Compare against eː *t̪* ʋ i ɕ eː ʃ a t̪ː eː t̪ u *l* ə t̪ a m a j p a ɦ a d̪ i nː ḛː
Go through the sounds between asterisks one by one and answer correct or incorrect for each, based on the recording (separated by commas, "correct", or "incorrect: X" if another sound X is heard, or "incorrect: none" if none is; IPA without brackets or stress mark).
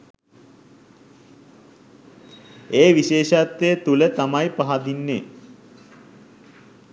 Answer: incorrect: none, correct